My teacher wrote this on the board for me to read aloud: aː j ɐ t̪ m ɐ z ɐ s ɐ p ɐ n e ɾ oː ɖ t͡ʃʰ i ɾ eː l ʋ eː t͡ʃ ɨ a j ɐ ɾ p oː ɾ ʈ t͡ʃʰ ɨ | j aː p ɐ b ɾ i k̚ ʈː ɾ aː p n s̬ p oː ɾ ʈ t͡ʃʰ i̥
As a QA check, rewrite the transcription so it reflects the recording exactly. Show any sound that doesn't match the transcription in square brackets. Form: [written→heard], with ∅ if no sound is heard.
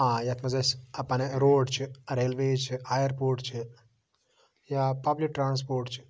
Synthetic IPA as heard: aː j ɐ t̪ m ɐ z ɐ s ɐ p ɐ n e ɾ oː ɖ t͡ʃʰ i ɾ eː l ʋ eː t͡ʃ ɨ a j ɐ ɾ p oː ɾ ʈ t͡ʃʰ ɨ | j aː p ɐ b [ɾ→l] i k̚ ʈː ɾ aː [p→∅] n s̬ p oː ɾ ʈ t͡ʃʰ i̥